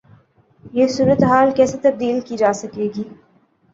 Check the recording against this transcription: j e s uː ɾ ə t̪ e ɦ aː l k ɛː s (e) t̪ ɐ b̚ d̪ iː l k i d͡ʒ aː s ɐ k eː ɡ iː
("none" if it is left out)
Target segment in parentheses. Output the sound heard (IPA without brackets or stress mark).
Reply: e